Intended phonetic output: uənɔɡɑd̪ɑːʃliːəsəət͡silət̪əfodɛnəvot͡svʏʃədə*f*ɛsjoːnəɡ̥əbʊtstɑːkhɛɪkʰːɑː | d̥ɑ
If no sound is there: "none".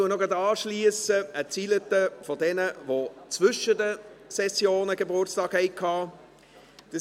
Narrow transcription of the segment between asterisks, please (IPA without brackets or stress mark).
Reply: s